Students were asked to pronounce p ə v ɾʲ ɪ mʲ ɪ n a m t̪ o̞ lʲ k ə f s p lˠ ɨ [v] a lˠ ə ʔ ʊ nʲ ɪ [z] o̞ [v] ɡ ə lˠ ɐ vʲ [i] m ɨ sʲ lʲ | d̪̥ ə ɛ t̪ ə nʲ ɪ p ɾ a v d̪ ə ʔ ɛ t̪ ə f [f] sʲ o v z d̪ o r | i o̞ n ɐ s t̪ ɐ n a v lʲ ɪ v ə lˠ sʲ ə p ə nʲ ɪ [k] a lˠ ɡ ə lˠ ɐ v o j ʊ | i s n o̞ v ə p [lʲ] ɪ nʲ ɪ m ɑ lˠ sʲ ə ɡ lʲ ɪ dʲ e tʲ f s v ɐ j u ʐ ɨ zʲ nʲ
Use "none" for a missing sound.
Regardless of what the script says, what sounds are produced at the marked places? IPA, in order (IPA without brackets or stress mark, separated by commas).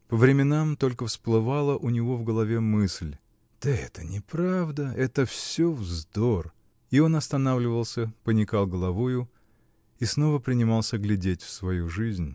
v, v, v, e, s, k, ɾʲ